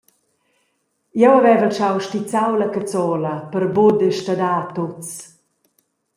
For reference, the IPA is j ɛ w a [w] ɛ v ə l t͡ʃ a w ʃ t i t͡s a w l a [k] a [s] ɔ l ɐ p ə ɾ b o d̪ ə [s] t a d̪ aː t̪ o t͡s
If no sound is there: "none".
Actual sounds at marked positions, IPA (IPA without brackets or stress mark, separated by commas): v, k, t͡s, ʃ